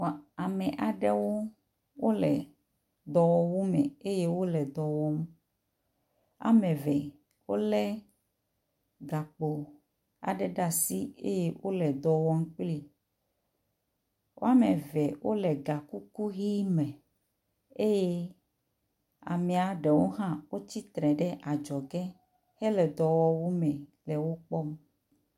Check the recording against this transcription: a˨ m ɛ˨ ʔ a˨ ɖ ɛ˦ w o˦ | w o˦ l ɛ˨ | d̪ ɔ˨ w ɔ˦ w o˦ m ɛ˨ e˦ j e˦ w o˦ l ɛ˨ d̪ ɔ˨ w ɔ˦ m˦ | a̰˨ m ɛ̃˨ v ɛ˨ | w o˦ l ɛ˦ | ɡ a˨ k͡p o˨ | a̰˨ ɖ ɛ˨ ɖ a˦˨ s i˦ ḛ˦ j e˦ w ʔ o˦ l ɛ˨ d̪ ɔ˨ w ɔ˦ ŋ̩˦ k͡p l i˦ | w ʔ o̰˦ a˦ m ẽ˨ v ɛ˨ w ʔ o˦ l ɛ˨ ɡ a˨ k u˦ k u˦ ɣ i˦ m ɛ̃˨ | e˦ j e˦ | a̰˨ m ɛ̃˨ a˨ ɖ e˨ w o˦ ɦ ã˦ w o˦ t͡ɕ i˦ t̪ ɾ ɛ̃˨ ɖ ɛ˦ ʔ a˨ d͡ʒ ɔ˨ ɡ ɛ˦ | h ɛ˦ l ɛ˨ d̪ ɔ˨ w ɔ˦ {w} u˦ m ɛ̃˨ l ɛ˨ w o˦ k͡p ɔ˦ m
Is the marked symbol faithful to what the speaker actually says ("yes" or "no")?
yes